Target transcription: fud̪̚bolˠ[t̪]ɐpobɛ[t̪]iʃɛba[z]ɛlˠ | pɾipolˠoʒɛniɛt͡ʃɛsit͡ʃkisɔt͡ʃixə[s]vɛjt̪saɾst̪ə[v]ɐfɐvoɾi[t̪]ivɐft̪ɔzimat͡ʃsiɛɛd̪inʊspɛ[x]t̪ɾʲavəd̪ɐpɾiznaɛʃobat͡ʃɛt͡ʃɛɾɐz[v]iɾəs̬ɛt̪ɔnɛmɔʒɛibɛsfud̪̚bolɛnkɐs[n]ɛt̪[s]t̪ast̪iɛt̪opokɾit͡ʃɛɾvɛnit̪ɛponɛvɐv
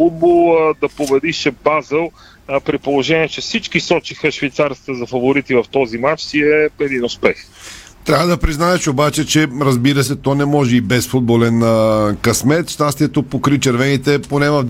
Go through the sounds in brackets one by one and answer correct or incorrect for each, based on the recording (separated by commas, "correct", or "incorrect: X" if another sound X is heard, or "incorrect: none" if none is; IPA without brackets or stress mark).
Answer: incorrect: d̪, incorrect: d̪, correct, incorrect: ʃ, incorrect: z, correct, correct, incorrect: b, incorrect: m, incorrect: ʃ